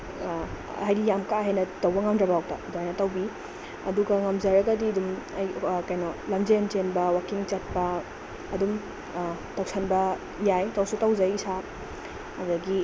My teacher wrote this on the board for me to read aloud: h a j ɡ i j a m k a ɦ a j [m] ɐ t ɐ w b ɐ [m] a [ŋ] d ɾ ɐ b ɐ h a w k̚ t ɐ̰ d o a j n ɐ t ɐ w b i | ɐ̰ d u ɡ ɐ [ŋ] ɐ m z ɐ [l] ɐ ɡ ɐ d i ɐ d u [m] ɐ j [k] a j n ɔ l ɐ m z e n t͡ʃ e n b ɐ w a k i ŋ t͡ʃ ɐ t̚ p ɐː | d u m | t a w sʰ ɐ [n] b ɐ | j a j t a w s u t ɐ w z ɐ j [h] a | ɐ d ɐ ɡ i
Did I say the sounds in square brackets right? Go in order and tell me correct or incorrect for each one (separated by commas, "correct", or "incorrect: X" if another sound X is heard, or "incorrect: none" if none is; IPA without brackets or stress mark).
incorrect: n, incorrect: ŋ, incorrect: m, correct, incorrect: ɾ, correct, correct, correct, incorrect: s